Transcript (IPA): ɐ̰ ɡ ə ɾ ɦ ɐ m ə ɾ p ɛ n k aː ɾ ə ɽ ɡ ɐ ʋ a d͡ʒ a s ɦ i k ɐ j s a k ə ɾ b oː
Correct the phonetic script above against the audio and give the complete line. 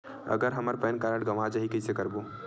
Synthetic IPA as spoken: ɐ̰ ɡ ə ɾ ɦ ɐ m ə ɾ p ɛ n k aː ɾ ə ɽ ɡ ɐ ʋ a d͡ʒ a ɦ i k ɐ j s e k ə ɾ b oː